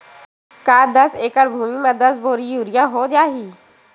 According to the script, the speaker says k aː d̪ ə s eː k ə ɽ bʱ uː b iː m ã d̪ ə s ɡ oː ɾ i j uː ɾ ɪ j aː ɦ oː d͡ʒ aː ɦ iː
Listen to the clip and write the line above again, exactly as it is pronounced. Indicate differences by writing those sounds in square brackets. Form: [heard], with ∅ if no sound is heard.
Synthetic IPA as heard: k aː d̪ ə s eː k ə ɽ bʱ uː [m] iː m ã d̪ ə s [b] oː ɾ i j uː ɾ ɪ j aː ɦ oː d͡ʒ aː ɦ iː